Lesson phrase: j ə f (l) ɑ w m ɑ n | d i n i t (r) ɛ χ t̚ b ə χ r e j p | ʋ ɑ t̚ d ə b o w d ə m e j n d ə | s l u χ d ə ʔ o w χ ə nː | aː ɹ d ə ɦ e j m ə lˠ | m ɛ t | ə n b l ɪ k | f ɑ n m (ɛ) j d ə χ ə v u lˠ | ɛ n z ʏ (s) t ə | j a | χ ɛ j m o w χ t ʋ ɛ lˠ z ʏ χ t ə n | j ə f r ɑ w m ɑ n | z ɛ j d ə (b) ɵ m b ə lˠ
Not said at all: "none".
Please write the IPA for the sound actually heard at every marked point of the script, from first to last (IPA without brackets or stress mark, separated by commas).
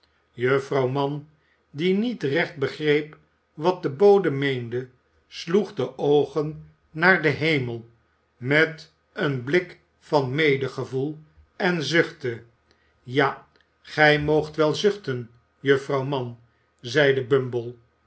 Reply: r, r, e, χ, b